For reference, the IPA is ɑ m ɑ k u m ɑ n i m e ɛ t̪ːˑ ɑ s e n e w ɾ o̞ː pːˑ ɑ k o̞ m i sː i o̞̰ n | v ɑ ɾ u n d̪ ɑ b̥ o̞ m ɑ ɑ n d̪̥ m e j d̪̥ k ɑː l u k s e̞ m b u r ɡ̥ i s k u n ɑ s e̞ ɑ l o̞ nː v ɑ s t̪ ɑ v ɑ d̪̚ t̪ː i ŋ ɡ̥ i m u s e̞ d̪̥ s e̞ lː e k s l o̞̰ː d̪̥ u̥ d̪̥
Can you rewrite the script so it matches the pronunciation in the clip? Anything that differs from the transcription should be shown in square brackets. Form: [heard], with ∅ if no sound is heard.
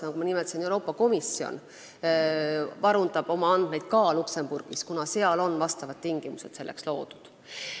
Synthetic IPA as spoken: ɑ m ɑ k u m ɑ n i m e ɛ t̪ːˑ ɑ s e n e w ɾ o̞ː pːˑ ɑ k o̞ m i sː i o̞̰ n | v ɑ ɾ u n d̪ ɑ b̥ o̞ m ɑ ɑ n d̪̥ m e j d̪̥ k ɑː l u k s e̞ m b u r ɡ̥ i s k u n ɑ s e̞ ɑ l o̞ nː v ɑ s t̪ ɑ v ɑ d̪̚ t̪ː i ŋ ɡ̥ i m u s e̞ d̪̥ s e̞ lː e k s l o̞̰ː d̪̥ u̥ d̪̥